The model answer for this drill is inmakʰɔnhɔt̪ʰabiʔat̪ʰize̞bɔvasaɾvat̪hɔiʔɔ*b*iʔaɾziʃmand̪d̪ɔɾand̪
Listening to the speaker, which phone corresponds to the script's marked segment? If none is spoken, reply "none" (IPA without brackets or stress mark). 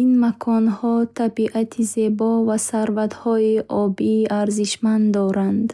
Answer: b